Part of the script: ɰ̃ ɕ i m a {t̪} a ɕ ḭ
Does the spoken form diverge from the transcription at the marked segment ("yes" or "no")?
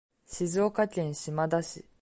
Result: yes